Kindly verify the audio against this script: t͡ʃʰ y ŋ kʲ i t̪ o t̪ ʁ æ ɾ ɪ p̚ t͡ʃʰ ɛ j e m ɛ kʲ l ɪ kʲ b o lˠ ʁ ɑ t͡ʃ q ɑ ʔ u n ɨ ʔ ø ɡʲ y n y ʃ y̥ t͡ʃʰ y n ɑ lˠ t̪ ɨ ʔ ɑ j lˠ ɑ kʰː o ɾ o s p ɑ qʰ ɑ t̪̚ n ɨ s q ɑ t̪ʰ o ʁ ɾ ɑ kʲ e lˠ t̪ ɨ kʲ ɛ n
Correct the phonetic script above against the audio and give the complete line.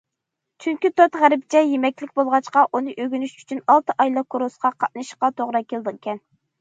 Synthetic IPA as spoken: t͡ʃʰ y ŋ kʲ i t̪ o t̪ ʁ æ ɾ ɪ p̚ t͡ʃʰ ɛ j e m ɛ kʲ l ɪ kʲ b o lˠ ʁ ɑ t͡ʃ q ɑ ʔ u n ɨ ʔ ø ɡʲ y n y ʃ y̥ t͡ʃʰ y n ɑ lˠ t̪ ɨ ʔ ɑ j lˠ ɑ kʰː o ɾ o s q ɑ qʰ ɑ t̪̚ n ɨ ʃ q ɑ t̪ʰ o ʁ ɾ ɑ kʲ e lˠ d̪ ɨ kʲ ɛ n